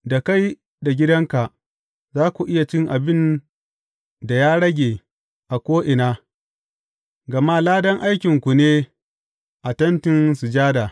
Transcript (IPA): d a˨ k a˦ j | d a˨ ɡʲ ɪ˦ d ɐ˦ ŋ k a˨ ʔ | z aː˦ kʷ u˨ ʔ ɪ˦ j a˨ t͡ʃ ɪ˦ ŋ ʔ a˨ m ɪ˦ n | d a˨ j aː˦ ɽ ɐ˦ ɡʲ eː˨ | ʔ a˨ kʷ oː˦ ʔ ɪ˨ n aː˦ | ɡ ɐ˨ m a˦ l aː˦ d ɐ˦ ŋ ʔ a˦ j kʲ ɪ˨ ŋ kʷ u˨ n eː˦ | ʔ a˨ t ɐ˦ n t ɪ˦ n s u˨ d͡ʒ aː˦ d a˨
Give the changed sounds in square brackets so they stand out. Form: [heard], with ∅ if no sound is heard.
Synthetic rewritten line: d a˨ k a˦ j | d a˨ ɡʲ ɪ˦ d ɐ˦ ŋ k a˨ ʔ | z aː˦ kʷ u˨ ʔ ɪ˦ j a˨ t͡ʃ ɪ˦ ŋ ʔ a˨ [b] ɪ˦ n | d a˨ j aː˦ ɽ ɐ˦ ɡʲ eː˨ | ʔ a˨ kʷ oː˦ ʔ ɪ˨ n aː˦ | ɡ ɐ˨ m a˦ l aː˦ d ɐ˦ ŋ ʔ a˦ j kʲ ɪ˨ ŋ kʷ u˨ n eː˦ | ʔ a˨ t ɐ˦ n t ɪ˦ n s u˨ d͡ʒ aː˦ d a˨

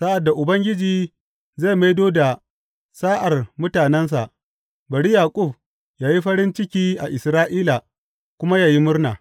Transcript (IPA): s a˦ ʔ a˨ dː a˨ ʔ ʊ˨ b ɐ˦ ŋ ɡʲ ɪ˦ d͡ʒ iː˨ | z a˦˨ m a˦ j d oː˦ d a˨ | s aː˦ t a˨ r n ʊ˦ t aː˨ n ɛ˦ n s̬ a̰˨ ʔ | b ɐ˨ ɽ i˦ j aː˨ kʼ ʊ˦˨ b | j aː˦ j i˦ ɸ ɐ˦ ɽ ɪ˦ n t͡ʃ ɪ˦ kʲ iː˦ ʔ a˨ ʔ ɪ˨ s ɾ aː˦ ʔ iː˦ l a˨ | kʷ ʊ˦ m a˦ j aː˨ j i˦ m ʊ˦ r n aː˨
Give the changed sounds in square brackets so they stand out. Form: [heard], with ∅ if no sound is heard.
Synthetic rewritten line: s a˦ ʔ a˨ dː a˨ ʔ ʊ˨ b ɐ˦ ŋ ɡʲ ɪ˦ d͡ʒ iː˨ | z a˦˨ m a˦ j d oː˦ d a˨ | s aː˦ [ʔ] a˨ r [m] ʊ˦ t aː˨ n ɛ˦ n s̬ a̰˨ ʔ | b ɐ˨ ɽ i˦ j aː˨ kʼ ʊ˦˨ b | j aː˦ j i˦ ɸ ɐ˦ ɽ ɪ˦ n t͡ʃ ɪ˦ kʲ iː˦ ʔ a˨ ʔ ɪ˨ s ɾ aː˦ ʔ iː˦ l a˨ | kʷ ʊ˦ m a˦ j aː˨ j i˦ m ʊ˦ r n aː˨

